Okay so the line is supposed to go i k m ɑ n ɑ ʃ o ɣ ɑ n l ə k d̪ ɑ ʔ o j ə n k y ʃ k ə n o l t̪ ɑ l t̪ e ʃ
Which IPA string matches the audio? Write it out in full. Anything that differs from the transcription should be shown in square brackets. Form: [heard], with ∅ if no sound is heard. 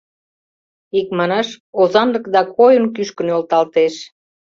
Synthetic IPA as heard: i k m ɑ n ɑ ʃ o [z] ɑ n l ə k d̪ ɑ [k] o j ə n k y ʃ k ə n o l t̪ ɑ l t̪ e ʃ